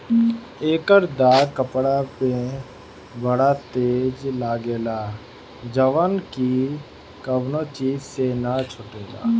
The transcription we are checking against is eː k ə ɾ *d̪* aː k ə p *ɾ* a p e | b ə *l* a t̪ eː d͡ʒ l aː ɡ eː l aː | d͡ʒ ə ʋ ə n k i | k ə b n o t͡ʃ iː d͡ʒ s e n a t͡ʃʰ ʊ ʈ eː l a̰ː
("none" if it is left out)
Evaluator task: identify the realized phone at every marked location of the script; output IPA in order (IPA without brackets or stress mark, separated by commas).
d̪, ɽ, ɽ